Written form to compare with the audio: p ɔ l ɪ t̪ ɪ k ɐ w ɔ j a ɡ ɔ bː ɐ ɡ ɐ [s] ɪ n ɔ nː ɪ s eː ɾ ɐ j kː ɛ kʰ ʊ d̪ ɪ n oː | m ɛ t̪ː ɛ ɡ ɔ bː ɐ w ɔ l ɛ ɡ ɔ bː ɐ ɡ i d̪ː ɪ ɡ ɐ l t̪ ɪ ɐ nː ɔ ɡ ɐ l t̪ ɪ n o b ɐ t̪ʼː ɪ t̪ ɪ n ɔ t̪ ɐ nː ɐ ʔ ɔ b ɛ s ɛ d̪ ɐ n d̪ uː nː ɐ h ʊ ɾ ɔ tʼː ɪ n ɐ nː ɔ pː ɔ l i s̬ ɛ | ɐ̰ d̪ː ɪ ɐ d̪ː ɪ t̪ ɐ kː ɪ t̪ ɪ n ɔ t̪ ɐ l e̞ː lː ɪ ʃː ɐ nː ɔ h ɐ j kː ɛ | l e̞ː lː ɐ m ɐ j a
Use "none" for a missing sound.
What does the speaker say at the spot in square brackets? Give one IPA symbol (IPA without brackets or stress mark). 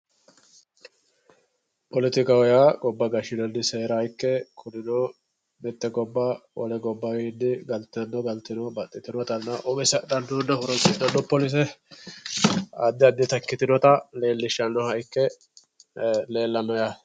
ʃ